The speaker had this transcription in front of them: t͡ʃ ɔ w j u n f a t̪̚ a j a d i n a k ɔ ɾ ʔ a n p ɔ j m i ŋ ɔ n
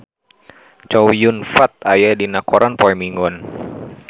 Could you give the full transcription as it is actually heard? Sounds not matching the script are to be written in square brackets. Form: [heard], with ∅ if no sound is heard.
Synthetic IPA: t͡ʃ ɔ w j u n f a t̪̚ a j a d i n a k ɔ ɾ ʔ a n p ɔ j m i ŋ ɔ n

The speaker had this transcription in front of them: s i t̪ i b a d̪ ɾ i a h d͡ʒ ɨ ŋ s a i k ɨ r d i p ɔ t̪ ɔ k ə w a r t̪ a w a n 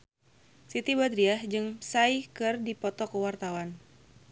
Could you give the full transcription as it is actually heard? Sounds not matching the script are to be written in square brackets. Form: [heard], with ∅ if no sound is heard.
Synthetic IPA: s i t̪ i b a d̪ ɾ i a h d͡ʒ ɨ ŋ s a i k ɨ r d i p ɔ t̪ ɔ k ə w a r t̪ a w a n

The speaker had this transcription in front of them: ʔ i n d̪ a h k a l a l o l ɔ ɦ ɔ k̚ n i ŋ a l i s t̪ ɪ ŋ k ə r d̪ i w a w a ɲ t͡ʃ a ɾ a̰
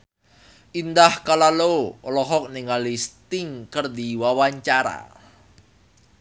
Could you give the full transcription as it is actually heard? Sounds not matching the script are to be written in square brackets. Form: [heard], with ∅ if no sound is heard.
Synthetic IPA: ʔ i n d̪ a h k a l a l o l ɔ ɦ ɔ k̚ n i ŋ a l i s t̪ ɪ ŋ k ə r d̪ i w a w a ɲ t͡ʃ a ɾ a̰

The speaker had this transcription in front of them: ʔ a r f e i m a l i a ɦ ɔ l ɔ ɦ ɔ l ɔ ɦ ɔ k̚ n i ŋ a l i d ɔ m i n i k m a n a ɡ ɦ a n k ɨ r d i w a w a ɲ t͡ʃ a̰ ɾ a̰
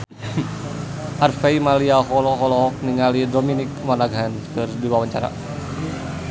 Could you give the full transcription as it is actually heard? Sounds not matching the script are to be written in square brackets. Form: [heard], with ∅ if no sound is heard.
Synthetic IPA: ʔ a r f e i m a l i a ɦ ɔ l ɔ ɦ ɔ l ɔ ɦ ɔ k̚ n i ŋ a l i d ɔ m i n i k m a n a ɡ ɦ a n k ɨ r d i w a w a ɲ t͡ʃ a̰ ɾ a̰

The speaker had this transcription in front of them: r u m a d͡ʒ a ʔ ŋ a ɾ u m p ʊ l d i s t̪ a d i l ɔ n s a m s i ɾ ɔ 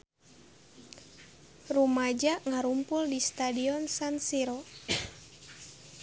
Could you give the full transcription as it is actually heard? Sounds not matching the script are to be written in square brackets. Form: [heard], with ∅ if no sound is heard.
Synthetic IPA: r u m a d͡ʒ a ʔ ŋ a ɾ u m p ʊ l d i s t̪ a d i [∅] ɔ n s a [n] s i ɾ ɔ

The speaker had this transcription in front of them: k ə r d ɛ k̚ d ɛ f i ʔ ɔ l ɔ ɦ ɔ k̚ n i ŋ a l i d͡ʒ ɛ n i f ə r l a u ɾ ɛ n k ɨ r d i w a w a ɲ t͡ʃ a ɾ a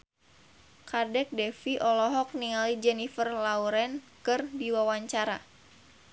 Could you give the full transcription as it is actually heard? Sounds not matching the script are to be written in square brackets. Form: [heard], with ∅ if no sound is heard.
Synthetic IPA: k [a] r d ɛ k̚ d ɛ f i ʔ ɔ l ɔ ɦ ɔ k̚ n i ŋ a l i d͡ʒ ɛ n i f ə r l a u ɾ ɛ n k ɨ r d i w a w a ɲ t͡ʃ a ɾ a

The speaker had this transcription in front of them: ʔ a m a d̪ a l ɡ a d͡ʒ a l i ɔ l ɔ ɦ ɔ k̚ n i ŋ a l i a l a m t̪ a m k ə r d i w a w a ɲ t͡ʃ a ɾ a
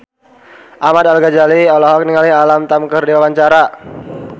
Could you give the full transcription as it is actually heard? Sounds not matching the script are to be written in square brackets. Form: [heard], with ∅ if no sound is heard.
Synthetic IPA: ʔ a m a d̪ a l ɡ a d͡ʒ a l i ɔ l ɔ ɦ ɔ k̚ n i ŋ a l i a l a m t̪ a m k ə r d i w a w a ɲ t͡ʃ a ɾ a

